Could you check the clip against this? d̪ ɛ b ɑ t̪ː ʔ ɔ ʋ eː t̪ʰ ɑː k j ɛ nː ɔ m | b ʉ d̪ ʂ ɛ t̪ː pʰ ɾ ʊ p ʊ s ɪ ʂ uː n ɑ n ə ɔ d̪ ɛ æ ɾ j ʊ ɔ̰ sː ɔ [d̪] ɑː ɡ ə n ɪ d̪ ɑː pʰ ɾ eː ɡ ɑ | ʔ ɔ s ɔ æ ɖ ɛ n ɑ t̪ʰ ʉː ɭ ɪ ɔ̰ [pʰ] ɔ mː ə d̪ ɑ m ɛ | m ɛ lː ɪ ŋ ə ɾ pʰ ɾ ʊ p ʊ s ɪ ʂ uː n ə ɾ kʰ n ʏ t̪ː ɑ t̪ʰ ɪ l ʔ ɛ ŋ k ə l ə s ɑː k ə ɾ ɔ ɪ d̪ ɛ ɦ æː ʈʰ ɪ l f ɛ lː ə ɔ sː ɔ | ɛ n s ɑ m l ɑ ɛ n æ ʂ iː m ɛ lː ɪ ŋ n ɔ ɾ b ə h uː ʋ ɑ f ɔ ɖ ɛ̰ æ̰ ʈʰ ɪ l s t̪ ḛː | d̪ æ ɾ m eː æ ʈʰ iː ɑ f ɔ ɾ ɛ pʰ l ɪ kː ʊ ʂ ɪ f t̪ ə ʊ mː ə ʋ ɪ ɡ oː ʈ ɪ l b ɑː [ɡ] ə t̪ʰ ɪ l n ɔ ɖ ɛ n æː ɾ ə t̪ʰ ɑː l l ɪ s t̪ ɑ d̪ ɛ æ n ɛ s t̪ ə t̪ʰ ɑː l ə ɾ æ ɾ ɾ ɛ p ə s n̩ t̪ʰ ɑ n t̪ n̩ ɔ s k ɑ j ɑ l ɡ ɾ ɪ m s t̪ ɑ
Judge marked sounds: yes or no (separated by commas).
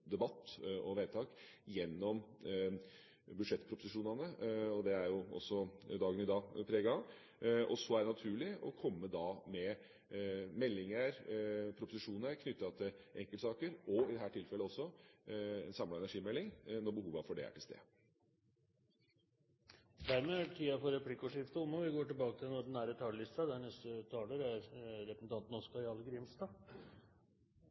yes, no, no